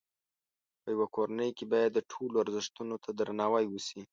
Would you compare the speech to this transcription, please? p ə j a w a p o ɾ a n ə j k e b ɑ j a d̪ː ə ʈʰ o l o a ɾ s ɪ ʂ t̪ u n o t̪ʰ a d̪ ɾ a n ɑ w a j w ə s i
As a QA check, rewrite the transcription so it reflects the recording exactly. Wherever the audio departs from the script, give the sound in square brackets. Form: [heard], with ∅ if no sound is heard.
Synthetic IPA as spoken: p ə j a w a [k] o ɾ a n ə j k e b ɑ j a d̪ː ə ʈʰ o l o a ɾ [z] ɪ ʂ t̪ u n o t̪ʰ a d̪ ɾ a n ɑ w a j w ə s i